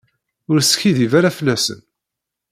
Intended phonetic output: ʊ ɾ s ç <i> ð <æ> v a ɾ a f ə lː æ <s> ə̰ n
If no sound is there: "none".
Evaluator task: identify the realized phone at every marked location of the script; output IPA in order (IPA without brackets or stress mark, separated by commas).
i, i, s